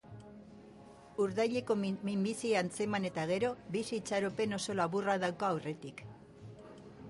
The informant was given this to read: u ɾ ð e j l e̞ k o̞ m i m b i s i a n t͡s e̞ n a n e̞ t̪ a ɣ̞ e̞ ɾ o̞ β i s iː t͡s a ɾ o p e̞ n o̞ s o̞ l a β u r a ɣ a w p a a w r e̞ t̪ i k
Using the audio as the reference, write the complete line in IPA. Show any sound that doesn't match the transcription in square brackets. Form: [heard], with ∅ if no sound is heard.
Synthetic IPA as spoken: u ɾ ð [a] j [ʎ] e̞ k o̞ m i m b i s i a n t͡s e̞ [m] a n e̞ t̪ a ɣ̞ e̞ ɾ o̞ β i s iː t͡s a ɾ o p e̞ n o̞ s o̞ l a β u r a [ð] a w [k] a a w r e̞ t̪ i k